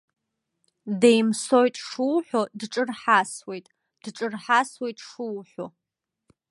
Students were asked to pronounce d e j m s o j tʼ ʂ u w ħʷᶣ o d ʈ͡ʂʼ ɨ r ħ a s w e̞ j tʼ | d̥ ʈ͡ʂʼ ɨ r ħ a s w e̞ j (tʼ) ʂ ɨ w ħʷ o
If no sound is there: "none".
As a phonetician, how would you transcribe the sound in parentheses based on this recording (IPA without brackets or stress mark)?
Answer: tʼ